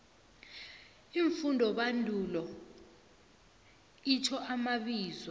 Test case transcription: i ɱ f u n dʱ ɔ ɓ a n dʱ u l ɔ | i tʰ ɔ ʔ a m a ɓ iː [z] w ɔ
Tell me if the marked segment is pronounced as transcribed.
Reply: yes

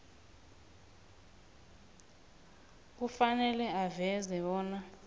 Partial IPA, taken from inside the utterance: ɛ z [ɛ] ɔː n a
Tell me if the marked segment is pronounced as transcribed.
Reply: yes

